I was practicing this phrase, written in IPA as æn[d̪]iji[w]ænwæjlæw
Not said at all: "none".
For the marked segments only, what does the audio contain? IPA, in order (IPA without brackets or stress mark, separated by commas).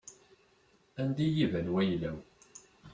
d̪, v